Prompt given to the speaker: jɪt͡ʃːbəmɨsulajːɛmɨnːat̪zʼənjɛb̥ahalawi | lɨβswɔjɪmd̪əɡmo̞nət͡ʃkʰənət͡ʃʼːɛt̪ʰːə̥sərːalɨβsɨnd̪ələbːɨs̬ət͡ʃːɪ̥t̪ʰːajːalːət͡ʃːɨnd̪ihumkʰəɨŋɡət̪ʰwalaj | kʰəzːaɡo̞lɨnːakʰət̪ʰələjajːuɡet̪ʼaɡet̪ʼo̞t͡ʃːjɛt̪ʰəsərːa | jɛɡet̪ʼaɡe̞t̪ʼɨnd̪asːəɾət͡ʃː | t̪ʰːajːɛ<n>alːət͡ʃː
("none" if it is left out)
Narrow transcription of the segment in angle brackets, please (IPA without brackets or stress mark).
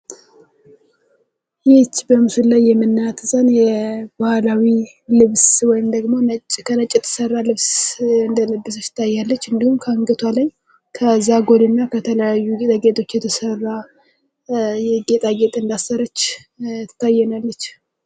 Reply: n